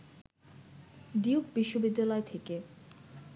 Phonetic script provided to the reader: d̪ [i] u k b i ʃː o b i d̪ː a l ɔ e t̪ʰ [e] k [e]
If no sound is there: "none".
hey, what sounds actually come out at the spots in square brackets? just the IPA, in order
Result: i, e, e

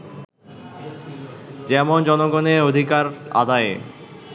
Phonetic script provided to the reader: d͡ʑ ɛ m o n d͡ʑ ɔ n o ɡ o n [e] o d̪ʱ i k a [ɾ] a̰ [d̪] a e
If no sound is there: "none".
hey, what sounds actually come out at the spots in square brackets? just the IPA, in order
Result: e, ɾ, d̪

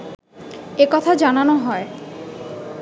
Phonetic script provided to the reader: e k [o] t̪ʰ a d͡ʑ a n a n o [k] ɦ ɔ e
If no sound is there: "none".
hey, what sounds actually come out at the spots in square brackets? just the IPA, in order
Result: ɔ, none

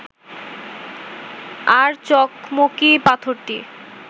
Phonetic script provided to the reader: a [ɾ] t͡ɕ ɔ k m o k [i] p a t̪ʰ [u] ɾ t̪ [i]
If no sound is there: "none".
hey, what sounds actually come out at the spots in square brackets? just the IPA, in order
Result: ɾ, i, o, i

